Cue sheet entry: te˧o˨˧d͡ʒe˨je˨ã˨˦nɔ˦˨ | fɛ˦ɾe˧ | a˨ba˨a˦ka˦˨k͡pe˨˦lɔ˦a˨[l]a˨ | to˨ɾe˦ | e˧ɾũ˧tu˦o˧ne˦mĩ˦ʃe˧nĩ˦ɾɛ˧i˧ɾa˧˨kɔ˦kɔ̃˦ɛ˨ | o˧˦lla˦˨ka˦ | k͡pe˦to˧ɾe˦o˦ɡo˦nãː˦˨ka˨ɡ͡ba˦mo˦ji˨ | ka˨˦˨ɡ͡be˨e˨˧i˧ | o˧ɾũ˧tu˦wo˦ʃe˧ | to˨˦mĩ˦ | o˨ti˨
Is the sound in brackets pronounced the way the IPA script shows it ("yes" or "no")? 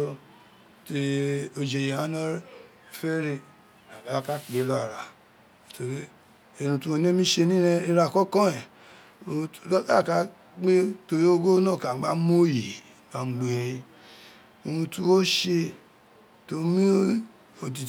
no